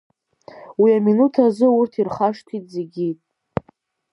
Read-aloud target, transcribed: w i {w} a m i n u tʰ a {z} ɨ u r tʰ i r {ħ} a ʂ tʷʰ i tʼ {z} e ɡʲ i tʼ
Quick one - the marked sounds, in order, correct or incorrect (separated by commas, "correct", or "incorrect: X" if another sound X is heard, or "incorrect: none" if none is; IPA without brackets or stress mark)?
incorrect: none, correct, incorrect: χ, correct